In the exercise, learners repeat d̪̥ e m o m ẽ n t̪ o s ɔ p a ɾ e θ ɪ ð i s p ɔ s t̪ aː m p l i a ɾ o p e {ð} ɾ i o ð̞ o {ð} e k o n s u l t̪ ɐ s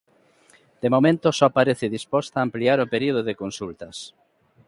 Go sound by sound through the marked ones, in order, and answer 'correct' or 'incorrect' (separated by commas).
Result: incorrect, correct